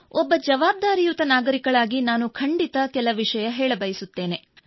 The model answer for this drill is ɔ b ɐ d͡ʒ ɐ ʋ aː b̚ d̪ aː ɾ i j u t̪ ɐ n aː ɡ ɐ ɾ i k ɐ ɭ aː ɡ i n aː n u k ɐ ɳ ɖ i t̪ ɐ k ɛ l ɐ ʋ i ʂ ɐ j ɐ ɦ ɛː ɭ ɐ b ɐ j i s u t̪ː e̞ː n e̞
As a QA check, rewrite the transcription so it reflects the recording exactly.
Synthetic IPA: ɔ bː ɐ d͡ʒ ɐ ʋ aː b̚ d̪ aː ɾ i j u t̪ ɐ n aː ɡ ɐ ɾ i k ɐ ɭ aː ɡ i n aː n u kʰ ɐ ɳ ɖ i t̪ ɐ k ɛ l ɐ ʋ i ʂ ɐ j ɐ ɦ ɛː ɭ ɐ b ɐ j i s u t̪ː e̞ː n e̞